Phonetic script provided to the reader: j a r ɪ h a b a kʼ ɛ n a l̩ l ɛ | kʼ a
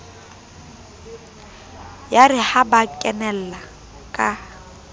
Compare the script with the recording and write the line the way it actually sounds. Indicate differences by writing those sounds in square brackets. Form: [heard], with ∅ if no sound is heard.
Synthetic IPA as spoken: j a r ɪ h a b a kʼ ɛ n [ɛ] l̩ l [a] | kʼ a